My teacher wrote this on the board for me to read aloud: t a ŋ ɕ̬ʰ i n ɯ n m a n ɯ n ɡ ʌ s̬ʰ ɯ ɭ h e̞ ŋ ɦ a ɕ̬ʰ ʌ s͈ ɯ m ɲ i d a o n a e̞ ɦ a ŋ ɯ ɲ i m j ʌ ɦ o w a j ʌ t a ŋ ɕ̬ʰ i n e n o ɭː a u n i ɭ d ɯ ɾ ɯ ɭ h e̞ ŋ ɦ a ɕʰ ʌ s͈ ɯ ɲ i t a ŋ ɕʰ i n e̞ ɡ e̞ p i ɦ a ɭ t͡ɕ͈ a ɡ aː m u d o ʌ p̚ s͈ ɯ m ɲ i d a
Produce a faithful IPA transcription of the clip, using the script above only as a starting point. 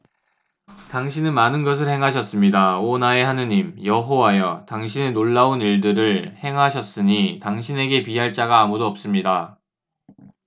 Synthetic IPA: t a ŋ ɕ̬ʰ i n ɯ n m a n ɯ n ɡ ʌ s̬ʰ ɯ ɭ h e̞ ŋ ɦ a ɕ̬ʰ ʌ s͈ ɯ m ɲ i d a o n a e̞ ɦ a n ɯ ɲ i m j ʌ ɦ o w a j ʌ t a ŋ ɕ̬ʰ i n e n o ɭː a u n i ɭ d ɯ ɾ ɯ ɭ h e̞ ŋ ɦ a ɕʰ ʌ s͈ ɯ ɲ i t a ŋ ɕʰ i n e̞ ɡ e̞ p i ɦ a ɭ t͡ɕ͈ a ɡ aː m u d o ʌ p̚ s͈ ɯ m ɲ i d a

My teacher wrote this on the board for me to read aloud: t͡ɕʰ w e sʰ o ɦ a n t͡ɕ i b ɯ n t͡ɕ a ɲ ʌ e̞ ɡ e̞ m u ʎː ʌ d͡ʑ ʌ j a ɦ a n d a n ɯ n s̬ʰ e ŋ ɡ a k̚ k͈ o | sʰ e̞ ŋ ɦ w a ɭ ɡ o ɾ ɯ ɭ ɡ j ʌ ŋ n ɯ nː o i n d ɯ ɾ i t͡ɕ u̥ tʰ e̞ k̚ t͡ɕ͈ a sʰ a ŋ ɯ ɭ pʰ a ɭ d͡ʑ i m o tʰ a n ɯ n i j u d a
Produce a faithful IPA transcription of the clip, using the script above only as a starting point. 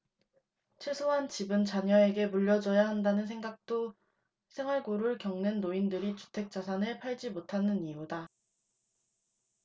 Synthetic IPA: t͡ɕʰ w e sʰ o ɦ a n t͡ɕ i b ɯ n t͡ɕ a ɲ ʌ e̞ ɡ e̞ m u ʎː ʌ d͡ʑ ʌ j a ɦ a n d a n ɯ n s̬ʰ e ŋ ɡ a k̚ t͈ o | sʰ e̞ ŋ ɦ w a ɭ ɡ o ɾ ɯ ɭ k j ʌ ŋ n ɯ nː o i n d ɯ ɾ i t͡ɕ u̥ tʰ e̞ k̚ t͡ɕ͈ a sʰ a n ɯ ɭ pʰ a ɭ d͡ʑ i m o tʰ a n ɯ n i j u d a

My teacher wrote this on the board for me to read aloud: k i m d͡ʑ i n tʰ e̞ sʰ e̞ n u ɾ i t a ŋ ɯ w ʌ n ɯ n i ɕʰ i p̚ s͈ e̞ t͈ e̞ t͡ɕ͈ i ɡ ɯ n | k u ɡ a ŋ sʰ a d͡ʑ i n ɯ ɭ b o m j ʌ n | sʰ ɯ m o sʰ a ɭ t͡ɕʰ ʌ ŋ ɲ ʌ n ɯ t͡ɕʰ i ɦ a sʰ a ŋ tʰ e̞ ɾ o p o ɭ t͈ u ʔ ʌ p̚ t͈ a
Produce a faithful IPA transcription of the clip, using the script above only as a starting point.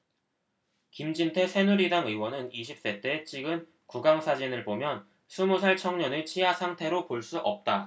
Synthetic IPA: k i m d͡ʑ i n tʰ e̞ sʰ e̞ n u ɾ i d a ŋ ɯ w ʌ n ɯ n i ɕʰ i p̚ s͈ e̞ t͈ e̞ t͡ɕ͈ i ɡ ɯ n | k u ɡ a ŋ sʰ a d͡ʑ i n ɯ ɭ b o m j ʌ n | sʰ u m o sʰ a ɭ t͡ɕʰ ʌ ŋ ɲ ʌ n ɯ t͡ɕʰ i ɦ a sʰ a ŋ tʰ e̞ ɾ o p o ɭ s͈ u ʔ ʌ p̚ t͈ a

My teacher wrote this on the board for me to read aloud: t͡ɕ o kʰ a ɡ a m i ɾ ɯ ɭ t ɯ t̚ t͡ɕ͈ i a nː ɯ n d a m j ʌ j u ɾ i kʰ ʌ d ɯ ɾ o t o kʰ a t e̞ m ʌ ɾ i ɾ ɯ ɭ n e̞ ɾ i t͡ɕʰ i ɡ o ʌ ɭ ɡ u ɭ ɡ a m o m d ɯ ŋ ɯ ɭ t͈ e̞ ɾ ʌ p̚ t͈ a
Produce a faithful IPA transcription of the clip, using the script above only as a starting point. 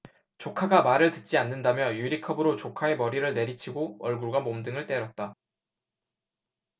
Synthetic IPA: t͡ɕ o kʰ a ɡ a m a ɾ ɯ ɭ t ɯ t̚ t͡ɕ͈ i a nː ɯ n d a m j ʌ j u ɾ i kʰ ʌ b ɯ ɾ o t͡ɕ o kʰ a e̞ m ʌ ɾ i ɾ ɯ ɭ n e̞ ɾ i t͡ɕʰ i ɡ o ʌ ɭ ɡ u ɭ ɡ a m o m d ɯ ŋ ɯ ɭ t͈ e̞ ɾ ʌ t̚ t͈ a

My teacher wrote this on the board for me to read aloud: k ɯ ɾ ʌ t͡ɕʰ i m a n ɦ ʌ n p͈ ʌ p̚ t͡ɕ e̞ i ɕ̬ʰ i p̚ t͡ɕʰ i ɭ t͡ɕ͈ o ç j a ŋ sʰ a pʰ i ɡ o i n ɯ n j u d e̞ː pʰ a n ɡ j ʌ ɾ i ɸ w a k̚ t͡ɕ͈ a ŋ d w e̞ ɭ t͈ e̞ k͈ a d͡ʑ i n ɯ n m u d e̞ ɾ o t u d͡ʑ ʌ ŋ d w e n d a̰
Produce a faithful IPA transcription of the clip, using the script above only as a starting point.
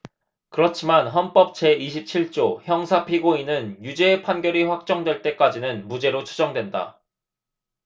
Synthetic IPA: k ɯ ɾ ʌ t͡ɕʰ i m a n ɦ ʌ n p͈ ʌ p̚ t͡ɕ e̞ i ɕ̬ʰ i p̚ t͡ɕʰ i ɭ t͡ɕ͈ o ç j ʌ ŋ sʰ a pʰ i ɡ o i n ɯ n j u d͡ʑ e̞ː pʰ a n ɡ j ʌ ɾ i ɸ w a k̚ t͡ɕ͈ ʌ ŋ d w e̞ ɭ t͈ e̞ k͈ a d͡ʑ i n ɯ n m u d͡ʑ e̞ ɾ o t͡ɕʰ u d͡ʑ ʌ ŋ d w e n d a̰

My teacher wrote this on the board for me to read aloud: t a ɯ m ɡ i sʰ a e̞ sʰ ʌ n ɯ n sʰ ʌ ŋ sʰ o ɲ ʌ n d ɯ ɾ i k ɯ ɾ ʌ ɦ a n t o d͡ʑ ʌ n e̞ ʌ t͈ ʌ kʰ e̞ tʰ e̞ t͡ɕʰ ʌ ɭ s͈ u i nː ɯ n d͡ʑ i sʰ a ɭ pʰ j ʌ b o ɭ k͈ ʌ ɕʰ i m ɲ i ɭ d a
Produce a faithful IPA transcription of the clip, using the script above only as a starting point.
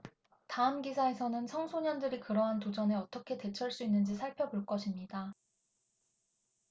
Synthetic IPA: t a ɯ m ɡ i sʰ a e̞ sʰ ʌ n ɯ n sʰ ʌ ŋ sʰ o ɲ ʌ n d ɯ ɾ i k ɯ ɾ ʌ ɦ a n t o d͡ʑ ʌ n e̞ ʌ t͈ ʌ kʰ e̞ t e̞ t͡ɕʰ ʌ ɭ s͈ u i nː ɯ n d͡ʑ i sʰ a ɭ pʰ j ʌ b o ɭ k͈ ʌ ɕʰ i m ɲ i d a

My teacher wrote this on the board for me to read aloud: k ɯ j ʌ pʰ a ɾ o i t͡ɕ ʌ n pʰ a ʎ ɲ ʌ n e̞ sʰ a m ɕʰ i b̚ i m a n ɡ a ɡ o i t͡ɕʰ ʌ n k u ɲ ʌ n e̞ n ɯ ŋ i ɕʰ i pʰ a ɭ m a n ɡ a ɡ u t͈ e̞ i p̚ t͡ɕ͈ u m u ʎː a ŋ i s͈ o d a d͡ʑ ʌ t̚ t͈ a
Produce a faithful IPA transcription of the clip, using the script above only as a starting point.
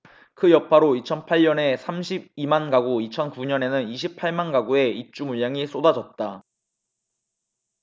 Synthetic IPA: k ɯ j ʌ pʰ a ɾ o i t͡ɕʰ ʌ n pʰ a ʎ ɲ ʌ n e̞ sʰ a m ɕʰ i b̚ i m a n ɡ a ɡ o i t͡ɕʰ ʌ n k u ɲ ʌ n e̞ n ɯ n i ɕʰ i pʰ a ɭ m a n ɡ a ɡ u e̞ i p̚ t͡ɕ͈ u m u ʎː a ŋ i s͈ o d a d͡ʑ ʌ t̚ t͈ a

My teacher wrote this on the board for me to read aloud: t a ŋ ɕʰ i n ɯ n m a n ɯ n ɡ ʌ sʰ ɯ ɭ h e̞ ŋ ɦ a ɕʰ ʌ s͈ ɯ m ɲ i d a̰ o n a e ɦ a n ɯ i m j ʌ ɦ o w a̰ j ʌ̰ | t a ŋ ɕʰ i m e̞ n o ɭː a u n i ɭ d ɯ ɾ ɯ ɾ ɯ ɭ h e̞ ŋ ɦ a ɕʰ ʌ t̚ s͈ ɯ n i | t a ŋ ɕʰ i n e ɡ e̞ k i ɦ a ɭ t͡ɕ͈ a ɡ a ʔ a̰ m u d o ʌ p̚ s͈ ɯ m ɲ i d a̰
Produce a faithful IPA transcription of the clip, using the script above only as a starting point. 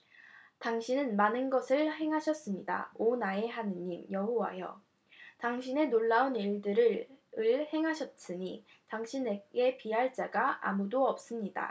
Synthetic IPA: t a ŋ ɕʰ i n ɯ n m a n ɯ n ɡ ʌ sʰ ɯ ɭ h e̞ ŋ ɦ a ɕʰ ʌ s͈ ɯ m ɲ i d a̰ o n a e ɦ a n ɯ i m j ʌ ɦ o w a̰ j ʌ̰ | t a ŋ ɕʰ i n e̞ n o ɭː a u n i ɭ d ɯ ɾ ɯ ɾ ɯ ɭ h e̞ ŋ ɦ a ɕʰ ʌ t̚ s͈ ɯ ɲ i | t a ŋ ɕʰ i n e ɡ e̞ p i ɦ a ɭ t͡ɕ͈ a ɡ a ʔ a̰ m u d o ʌ p̚ s͈ ɯ m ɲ i d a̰

